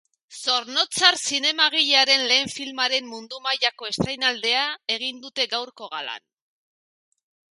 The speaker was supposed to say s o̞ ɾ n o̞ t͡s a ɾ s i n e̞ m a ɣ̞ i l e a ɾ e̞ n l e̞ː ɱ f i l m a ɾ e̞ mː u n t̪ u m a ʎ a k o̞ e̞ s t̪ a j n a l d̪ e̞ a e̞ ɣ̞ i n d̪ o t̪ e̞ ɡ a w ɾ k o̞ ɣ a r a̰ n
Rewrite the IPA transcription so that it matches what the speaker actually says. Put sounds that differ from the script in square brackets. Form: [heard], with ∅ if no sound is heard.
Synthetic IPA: s o̞ ɾ n o̞ t͡s a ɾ s i n e̞ m a ɣ̞ i [ʎ] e a ɾ e̞ n l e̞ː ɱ f i l m a ɾ e̞ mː u n [d̪] u m a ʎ a k o̞ e̞ s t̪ a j n a l d̪ e̞ a e̞ ɣ̞ i n d̪ [u] t̪ e̞ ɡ a w ɾ k o̞ ɣ a [l] a̰ n